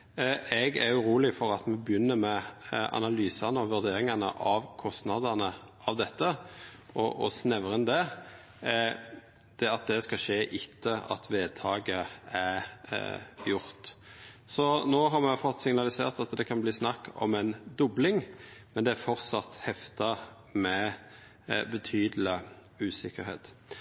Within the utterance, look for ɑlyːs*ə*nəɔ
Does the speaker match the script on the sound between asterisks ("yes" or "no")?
no